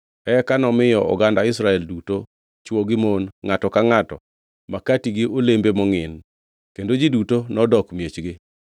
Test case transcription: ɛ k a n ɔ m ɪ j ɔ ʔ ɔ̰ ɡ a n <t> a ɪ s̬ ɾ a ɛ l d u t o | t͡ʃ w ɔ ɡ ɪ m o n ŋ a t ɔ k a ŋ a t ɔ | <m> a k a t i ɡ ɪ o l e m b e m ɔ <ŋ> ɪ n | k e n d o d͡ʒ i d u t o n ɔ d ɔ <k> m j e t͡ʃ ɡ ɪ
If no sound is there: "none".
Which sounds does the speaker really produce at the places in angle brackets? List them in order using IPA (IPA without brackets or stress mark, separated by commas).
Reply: d, m, ŋ, k